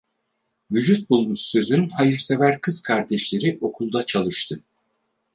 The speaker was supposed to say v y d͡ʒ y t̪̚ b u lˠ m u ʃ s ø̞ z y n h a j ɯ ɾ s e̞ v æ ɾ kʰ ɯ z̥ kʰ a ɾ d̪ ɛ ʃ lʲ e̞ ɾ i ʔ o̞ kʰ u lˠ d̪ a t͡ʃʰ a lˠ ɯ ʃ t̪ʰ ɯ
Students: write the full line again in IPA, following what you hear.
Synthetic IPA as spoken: v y d͡ʒ y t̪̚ b u lˠ m u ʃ s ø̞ z y n h a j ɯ ɾ s e̞ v æ ɾ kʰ ɯ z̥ kʰ a ɾ d̪ ɛ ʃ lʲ e̞ ɾ i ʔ o̞ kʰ u lˠ d̪ a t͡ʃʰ a lˠ ɯ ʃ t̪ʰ ɯ